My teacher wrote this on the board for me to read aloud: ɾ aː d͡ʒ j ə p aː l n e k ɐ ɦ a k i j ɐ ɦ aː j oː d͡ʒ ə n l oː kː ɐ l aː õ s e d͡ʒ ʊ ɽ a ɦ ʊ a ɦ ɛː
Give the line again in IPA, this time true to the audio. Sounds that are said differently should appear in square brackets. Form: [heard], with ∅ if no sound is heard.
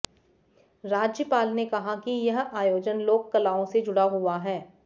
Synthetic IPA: ɾ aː d͡ʒ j ə p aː l n e k ɐ ɦ a k i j ɐ ɦ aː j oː d͡ʒ ə n l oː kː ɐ l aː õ s e d͡ʒ ʊ ɽ a ɦ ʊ a ɦ ɛː